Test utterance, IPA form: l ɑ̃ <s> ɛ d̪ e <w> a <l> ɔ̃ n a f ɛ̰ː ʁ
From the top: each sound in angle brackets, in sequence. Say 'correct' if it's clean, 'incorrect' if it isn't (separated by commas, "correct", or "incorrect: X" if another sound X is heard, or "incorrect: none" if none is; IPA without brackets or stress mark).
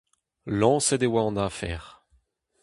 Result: correct, correct, incorrect: none